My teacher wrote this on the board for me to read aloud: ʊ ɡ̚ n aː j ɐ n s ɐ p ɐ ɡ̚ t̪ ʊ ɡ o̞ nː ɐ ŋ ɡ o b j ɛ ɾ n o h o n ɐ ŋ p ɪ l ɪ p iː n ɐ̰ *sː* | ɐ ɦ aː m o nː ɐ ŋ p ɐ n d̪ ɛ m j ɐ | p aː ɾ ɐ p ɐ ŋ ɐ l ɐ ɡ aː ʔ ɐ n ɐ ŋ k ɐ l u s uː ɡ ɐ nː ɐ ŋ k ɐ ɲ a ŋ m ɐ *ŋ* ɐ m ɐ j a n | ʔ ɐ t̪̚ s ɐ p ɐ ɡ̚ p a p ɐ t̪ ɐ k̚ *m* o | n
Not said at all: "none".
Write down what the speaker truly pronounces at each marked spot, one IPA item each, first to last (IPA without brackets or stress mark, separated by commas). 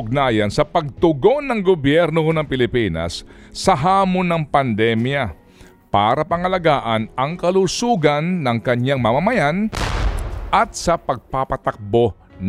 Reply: sː, m, b